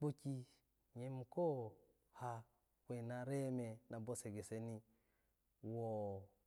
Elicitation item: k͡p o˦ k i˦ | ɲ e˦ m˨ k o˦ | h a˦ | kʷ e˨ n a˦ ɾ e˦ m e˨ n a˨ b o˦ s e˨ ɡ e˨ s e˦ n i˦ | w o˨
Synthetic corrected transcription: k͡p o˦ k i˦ | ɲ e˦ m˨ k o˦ | h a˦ | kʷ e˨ n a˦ ɾ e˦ m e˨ n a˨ b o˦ s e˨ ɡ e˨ s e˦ n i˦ | w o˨